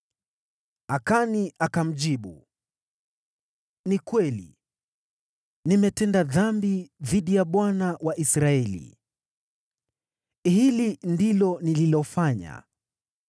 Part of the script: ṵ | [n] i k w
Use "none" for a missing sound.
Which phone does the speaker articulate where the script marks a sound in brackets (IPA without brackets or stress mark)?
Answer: n